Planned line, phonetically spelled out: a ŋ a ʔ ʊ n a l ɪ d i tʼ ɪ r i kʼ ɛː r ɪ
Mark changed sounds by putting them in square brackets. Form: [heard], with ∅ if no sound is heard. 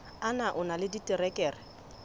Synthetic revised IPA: a [n] a ʔ ʊ n a l ɪ d i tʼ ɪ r [ɛ] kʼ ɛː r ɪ